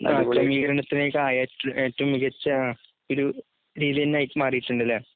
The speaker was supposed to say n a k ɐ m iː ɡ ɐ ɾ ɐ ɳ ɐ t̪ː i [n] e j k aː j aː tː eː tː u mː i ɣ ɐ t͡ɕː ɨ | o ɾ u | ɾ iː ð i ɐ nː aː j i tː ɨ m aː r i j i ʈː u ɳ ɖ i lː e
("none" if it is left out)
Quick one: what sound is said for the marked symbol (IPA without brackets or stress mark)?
n